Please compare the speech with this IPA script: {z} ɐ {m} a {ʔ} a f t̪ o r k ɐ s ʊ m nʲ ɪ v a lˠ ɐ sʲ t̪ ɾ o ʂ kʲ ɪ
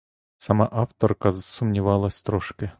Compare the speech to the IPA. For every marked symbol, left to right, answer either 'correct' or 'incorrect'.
incorrect, correct, correct

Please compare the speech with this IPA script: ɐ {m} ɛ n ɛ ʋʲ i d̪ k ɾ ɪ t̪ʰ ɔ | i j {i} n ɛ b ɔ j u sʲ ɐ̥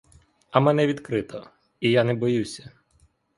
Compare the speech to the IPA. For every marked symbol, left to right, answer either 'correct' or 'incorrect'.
correct, incorrect

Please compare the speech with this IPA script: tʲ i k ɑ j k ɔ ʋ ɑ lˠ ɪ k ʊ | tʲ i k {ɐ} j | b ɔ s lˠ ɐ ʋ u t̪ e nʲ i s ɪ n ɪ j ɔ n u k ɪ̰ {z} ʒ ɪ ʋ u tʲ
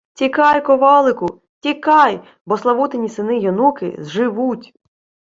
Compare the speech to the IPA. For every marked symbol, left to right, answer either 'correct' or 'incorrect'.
incorrect, correct

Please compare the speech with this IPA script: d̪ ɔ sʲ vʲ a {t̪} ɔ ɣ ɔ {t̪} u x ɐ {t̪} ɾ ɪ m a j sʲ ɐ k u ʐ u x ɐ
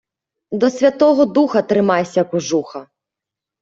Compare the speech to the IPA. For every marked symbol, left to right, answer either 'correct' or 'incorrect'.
correct, incorrect, correct

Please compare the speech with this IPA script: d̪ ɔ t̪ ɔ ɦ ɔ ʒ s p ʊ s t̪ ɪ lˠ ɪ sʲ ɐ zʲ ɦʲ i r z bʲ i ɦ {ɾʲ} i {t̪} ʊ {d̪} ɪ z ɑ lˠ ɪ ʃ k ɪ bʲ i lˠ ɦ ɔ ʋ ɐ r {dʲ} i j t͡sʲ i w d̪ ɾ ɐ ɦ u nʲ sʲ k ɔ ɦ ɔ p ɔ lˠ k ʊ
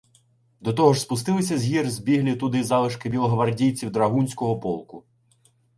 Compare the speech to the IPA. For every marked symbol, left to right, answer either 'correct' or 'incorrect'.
incorrect, correct, correct, correct

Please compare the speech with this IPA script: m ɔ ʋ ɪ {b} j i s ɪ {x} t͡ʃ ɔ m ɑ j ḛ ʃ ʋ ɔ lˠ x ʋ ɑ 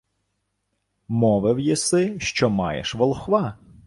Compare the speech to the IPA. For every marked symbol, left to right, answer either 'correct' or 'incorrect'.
incorrect, incorrect

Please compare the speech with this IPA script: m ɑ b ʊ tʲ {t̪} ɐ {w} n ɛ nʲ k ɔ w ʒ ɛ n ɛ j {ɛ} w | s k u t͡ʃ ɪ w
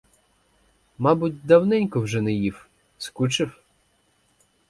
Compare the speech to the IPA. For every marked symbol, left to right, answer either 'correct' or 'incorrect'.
incorrect, correct, incorrect

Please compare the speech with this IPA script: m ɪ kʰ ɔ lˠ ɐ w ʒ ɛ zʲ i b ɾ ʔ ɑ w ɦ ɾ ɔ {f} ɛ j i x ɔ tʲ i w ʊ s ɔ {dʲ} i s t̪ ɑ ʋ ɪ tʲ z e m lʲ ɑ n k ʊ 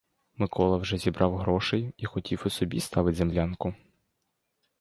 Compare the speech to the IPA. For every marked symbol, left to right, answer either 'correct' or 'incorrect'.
incorrect, incorrect

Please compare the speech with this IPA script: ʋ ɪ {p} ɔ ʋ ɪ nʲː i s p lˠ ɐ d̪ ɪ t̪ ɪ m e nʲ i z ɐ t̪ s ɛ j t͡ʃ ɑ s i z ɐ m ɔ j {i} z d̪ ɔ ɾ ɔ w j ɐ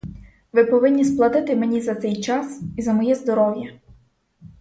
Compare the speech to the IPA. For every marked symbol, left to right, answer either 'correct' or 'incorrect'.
correct, incorrect

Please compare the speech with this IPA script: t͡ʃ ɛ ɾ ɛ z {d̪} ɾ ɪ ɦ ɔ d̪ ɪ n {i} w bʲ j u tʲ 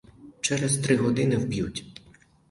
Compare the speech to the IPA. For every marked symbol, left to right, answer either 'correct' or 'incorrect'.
incorrect, incorrect

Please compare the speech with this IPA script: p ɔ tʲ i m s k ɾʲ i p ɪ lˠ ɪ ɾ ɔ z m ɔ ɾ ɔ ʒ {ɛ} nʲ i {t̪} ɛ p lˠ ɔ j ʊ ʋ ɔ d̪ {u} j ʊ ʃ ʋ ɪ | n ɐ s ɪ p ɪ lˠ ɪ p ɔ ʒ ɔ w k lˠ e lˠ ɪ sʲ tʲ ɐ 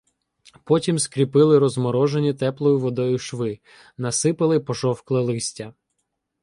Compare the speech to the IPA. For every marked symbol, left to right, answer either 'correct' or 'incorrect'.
incorrect, correct, incorrect

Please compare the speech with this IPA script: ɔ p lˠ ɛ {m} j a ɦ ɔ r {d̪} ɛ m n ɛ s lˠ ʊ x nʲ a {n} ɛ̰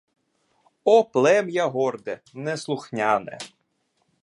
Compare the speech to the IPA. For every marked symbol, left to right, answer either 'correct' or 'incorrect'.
correct, correct, correct

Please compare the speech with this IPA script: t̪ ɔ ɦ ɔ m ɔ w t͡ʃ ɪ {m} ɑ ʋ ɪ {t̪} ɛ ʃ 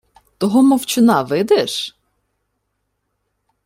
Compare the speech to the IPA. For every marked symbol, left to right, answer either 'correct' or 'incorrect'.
incorrect, incorrect

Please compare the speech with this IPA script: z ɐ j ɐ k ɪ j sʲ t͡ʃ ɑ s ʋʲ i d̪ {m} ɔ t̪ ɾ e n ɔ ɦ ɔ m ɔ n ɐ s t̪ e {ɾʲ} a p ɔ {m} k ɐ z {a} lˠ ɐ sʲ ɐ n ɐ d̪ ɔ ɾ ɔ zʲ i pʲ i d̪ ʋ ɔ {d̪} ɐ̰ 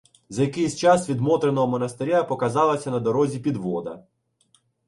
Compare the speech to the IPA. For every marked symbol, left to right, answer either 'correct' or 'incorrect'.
correct, correct, incorrect, incorrect, correct

